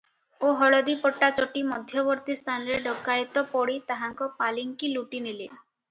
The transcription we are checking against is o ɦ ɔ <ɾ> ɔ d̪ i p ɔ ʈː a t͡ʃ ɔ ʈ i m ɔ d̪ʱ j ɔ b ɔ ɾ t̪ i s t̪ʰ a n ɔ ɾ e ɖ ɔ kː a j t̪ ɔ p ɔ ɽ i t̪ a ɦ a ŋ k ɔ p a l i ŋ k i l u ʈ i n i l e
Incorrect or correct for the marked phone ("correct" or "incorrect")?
incorrect